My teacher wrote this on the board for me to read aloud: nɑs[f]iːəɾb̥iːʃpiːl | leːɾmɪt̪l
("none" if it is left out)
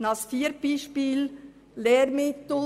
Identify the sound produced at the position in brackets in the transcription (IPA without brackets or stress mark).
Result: f